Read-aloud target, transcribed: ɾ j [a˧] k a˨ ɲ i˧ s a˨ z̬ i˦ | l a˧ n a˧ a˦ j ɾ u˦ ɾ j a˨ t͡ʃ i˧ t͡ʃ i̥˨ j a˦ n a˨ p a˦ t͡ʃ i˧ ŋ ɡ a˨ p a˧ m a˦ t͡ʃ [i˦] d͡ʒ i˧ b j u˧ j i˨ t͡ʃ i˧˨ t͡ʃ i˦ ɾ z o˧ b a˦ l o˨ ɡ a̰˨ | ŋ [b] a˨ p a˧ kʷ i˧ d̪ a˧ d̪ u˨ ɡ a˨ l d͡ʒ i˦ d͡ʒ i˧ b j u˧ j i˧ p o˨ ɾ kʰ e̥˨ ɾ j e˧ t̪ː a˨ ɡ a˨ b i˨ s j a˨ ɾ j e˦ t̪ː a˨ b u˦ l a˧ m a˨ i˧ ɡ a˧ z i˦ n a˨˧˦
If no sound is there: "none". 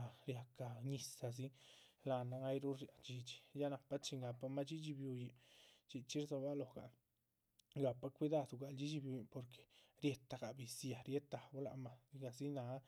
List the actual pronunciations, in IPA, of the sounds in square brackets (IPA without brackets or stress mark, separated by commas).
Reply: a˧, i˦, ɡ